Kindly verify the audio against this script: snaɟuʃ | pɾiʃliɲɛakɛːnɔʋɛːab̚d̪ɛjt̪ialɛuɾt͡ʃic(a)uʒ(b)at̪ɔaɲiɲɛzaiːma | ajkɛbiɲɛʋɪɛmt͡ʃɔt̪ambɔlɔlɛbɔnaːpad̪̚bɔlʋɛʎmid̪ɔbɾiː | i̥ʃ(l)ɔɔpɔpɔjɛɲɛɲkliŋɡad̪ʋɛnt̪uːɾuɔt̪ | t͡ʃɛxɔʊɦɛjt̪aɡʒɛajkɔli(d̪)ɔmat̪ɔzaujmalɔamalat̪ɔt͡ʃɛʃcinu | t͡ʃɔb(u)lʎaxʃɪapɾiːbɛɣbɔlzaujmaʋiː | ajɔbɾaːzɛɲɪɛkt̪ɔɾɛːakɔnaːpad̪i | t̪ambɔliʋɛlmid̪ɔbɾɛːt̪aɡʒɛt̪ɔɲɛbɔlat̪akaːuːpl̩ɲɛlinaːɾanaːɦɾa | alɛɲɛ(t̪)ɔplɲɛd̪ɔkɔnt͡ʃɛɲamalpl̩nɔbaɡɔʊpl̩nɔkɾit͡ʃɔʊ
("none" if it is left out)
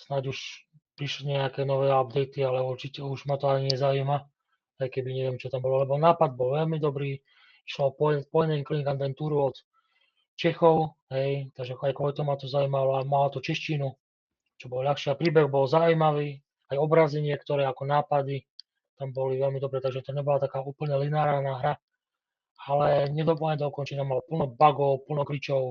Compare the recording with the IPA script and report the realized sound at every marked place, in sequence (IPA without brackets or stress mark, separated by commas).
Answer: ɛ, m, l, t̪, ɔ, d̪